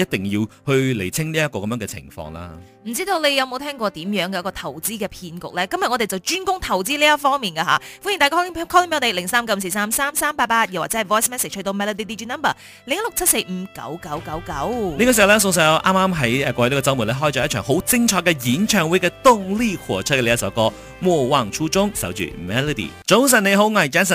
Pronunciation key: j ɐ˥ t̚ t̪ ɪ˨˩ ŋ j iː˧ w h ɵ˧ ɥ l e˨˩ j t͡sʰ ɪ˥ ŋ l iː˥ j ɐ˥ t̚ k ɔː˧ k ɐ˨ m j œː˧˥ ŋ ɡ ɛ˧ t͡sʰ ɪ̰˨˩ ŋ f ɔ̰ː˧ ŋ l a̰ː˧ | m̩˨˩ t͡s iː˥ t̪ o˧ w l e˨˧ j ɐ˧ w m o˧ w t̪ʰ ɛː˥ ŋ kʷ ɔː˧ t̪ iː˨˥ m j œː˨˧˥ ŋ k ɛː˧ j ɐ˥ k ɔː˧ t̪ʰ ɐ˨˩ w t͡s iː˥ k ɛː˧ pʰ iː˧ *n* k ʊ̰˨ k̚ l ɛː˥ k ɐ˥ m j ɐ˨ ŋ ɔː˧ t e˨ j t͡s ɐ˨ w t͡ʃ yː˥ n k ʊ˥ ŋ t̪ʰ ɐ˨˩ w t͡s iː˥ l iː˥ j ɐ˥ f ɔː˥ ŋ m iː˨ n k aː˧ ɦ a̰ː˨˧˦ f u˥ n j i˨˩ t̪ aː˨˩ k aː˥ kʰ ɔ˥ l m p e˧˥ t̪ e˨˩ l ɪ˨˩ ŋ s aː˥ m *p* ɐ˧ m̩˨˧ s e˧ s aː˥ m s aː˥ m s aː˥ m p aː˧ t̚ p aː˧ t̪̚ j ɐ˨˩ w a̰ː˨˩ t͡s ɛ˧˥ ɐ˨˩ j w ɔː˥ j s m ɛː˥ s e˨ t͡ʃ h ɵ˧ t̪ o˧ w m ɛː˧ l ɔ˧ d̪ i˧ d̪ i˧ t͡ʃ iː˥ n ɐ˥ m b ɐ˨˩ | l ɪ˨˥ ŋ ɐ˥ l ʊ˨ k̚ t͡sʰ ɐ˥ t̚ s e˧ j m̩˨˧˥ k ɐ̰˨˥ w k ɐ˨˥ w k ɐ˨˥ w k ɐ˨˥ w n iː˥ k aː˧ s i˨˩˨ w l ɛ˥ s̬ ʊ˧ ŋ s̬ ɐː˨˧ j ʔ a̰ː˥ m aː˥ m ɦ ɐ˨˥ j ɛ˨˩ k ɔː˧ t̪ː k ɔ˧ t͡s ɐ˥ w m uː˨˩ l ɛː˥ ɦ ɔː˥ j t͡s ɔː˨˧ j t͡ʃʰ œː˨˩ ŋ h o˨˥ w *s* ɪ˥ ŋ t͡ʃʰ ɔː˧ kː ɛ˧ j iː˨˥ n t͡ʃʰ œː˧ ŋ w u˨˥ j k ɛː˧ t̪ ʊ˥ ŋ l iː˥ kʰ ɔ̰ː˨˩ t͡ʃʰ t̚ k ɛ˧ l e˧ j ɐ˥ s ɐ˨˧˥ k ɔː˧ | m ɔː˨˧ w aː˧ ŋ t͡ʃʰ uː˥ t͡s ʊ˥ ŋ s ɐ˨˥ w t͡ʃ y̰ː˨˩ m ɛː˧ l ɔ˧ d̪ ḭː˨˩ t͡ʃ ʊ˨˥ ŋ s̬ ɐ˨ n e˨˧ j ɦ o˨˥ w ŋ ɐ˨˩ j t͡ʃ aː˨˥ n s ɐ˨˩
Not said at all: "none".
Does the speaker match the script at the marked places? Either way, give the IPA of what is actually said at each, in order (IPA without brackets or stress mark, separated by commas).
n, k, t͡s